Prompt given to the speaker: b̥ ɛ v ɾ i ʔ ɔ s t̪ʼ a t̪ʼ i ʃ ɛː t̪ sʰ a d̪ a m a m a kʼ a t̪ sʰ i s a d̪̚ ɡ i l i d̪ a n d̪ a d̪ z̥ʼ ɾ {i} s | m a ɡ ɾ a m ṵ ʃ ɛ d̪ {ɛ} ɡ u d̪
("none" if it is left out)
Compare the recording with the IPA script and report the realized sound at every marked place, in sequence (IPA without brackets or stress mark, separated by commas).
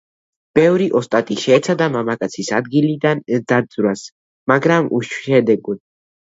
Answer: a, ɛ